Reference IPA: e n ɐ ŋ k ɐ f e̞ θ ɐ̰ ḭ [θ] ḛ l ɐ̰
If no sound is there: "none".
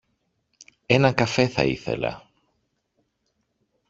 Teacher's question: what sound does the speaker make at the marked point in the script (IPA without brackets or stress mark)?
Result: θ